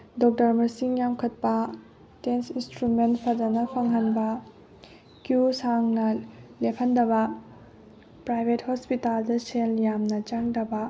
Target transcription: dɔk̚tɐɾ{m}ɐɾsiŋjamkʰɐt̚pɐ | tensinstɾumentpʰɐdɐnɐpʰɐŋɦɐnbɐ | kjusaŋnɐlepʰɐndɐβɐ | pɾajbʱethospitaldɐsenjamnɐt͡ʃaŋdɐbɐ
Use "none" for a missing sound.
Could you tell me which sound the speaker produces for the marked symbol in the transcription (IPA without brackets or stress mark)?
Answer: m